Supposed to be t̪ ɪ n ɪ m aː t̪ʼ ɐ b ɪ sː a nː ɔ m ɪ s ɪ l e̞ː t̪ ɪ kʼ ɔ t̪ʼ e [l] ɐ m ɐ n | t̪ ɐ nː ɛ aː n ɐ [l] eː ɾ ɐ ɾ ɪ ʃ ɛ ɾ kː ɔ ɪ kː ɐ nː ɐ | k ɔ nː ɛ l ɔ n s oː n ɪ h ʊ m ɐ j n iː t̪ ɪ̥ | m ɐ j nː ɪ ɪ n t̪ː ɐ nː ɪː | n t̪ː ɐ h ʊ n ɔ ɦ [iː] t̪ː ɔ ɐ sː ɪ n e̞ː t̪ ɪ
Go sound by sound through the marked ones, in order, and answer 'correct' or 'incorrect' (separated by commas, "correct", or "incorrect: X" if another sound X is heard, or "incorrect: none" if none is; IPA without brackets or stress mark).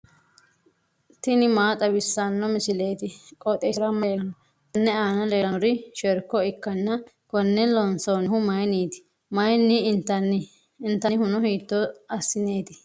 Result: incorrect: ɾ, correct, correct